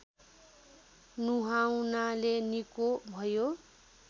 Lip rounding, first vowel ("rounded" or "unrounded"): rounded